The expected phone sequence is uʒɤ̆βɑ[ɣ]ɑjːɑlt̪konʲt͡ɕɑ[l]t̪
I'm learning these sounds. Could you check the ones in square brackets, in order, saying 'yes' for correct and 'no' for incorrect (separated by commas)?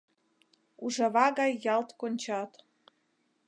yes, no